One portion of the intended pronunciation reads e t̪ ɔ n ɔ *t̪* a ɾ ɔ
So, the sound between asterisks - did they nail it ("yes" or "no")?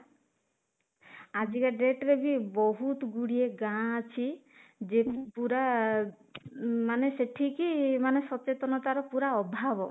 yes